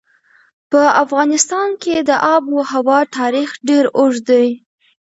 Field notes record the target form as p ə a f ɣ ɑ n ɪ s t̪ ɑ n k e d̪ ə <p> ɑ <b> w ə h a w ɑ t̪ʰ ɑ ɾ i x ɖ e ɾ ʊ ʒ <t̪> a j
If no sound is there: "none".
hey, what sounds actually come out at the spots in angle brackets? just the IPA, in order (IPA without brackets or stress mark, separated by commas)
ʔ, b, d̪